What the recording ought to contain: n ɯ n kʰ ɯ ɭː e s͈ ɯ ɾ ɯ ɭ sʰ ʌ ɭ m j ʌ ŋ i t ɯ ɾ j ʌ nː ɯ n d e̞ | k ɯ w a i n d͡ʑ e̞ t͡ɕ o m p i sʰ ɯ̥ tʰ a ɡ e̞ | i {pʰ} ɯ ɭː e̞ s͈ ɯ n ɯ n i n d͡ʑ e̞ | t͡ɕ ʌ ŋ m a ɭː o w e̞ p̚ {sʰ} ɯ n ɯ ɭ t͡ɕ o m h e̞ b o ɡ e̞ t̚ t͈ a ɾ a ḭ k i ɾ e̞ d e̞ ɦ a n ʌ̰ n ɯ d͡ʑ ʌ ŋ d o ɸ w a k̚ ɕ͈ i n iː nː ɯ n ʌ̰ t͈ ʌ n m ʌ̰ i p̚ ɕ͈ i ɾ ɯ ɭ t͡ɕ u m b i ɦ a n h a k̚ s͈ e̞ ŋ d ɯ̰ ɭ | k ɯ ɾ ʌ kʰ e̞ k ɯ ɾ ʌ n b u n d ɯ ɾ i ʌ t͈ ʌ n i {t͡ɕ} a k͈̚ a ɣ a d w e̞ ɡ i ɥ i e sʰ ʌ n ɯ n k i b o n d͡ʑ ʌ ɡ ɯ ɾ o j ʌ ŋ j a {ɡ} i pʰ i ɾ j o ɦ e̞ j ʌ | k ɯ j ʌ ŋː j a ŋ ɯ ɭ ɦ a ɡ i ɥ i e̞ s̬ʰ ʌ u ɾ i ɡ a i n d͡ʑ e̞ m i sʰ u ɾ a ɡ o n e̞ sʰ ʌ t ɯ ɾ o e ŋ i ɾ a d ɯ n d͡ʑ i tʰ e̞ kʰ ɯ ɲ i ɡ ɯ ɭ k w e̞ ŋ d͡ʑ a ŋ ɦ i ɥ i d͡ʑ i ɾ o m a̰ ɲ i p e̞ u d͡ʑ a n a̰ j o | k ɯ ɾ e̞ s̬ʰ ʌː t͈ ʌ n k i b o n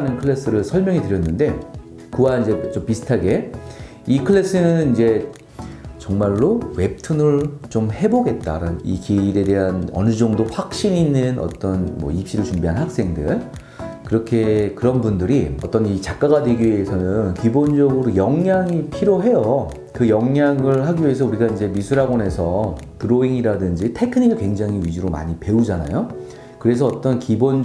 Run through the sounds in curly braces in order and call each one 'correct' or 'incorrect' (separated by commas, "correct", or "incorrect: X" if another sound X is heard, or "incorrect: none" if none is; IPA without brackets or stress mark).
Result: incorrect: kʰ, incorrect: tʰ, correct, incorrect: ŋ